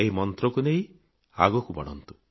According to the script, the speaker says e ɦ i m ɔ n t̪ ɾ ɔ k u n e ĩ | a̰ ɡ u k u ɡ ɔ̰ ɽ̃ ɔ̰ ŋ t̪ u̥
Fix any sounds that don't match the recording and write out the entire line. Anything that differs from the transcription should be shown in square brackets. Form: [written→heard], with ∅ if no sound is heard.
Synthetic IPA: e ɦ i m ɔ n t̪ ɾ ɔ k u n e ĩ | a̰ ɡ [u→ɔ] k u [ɡ→b] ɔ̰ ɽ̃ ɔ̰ [ŋ→n] t̪ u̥